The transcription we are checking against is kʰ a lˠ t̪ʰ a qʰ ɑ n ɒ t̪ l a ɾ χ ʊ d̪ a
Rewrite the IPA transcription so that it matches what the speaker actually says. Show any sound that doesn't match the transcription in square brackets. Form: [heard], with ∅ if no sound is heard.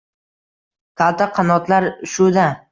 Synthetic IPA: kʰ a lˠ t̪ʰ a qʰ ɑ n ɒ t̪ l a ɾ [ʃ] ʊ d̪ a